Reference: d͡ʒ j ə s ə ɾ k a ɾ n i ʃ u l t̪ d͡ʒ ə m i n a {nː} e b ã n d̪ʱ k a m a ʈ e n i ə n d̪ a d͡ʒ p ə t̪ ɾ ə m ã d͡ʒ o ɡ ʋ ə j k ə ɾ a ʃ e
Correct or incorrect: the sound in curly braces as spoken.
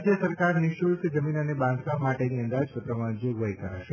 incorrect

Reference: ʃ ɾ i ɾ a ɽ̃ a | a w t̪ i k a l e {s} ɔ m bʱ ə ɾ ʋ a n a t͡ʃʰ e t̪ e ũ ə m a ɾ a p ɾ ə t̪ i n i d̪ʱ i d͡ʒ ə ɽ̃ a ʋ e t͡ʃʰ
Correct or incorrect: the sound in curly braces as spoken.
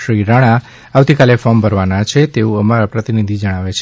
incorrect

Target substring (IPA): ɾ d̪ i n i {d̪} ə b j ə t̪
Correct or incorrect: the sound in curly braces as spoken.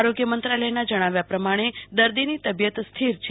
incorrect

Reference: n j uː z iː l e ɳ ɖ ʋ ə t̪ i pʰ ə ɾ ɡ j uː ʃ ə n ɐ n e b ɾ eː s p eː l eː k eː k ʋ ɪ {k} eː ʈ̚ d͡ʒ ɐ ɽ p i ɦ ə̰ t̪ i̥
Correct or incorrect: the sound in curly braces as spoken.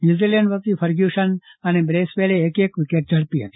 correct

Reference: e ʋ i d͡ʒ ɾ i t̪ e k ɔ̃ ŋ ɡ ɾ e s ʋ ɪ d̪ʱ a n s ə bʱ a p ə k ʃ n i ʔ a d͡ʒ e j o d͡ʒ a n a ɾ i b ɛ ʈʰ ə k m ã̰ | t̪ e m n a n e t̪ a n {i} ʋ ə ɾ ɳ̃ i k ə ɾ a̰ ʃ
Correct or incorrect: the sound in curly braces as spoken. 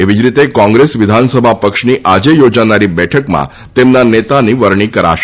correct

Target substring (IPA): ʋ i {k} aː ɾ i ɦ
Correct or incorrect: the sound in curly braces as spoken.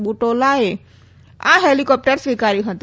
correct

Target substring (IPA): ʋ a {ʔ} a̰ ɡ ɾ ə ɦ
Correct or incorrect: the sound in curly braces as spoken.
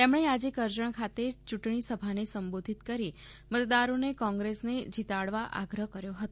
correct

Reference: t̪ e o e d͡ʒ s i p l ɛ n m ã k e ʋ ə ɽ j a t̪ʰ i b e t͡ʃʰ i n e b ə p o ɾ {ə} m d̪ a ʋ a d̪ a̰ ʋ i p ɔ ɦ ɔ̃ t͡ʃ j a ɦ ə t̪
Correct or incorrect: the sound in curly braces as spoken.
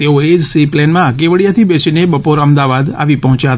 correct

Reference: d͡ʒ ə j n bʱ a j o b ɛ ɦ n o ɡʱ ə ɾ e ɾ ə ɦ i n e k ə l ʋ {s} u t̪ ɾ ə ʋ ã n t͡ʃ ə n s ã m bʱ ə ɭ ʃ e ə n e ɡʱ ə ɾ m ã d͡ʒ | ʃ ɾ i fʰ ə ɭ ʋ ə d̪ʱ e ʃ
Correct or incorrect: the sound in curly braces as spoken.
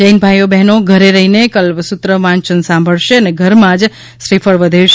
correct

